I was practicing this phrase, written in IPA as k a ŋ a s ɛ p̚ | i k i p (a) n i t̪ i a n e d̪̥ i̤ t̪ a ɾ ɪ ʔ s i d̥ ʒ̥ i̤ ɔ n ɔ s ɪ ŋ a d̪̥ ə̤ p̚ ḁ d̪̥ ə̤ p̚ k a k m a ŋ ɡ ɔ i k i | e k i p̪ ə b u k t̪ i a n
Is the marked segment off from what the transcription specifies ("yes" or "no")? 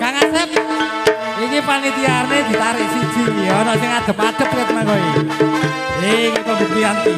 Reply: no